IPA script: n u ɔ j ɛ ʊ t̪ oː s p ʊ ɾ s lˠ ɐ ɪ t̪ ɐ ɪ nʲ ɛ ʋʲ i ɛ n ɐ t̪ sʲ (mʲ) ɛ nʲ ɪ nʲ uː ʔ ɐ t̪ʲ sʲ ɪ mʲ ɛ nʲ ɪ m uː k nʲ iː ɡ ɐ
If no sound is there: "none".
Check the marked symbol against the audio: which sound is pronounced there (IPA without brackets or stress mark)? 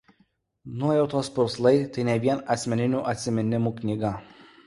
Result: mʲ